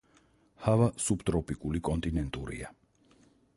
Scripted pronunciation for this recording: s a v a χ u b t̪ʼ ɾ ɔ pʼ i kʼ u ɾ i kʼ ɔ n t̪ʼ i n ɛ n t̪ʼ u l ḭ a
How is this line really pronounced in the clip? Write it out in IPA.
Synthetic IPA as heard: h a v a s u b t̪ʼ ɾ ɔ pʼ i kʼ u l i kʼ ɔ n t̪ʼ i n ɛ n t̪ʼ u ɾ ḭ a